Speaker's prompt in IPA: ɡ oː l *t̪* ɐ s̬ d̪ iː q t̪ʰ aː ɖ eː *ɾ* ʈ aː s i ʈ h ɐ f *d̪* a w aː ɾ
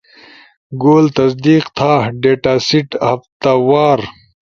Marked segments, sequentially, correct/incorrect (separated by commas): correct, incorrect, incorrect